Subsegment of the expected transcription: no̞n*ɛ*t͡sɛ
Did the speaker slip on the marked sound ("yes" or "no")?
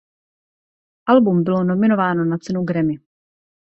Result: yes